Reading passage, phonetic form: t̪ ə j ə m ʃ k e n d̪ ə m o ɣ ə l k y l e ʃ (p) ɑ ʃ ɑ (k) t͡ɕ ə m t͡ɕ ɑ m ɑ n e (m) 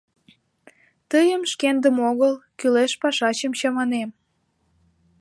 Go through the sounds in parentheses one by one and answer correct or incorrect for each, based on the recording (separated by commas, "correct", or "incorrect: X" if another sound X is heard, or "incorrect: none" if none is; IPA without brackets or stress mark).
correct, incorrect: none, correct